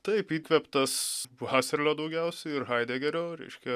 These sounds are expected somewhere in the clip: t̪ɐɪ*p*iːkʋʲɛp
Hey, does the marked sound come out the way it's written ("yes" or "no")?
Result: yes